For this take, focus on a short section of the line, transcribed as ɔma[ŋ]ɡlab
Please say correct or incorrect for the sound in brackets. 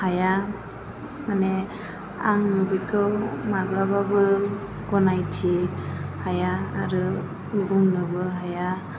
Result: incorrect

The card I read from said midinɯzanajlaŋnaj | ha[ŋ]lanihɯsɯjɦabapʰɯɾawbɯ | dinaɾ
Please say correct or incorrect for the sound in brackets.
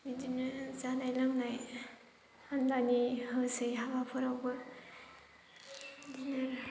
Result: incorrect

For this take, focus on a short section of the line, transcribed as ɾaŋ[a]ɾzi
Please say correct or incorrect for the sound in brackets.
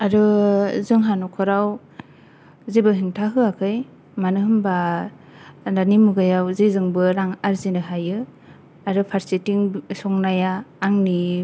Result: correct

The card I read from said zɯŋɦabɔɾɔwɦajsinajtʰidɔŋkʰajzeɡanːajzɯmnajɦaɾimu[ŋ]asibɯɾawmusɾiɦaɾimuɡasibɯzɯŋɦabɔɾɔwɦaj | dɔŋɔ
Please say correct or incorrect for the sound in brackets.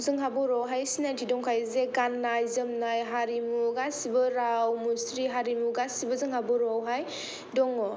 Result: incorrect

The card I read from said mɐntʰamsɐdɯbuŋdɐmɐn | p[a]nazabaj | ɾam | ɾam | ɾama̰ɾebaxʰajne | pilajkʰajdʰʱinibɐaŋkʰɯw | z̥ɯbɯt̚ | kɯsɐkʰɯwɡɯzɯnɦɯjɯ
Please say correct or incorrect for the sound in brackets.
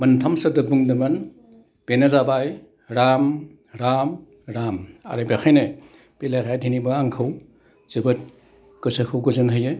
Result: incorrect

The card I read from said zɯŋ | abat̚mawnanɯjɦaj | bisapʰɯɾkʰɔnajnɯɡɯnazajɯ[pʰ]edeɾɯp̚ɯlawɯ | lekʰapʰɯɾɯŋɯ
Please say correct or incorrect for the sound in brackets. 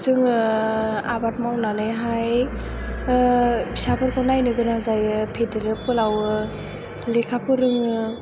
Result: correct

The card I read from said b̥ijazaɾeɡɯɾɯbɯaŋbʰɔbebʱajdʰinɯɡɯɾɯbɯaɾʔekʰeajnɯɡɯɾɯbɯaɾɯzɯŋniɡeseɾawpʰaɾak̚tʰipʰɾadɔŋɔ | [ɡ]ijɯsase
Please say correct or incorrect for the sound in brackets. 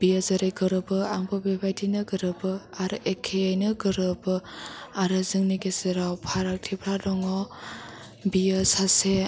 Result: incorrect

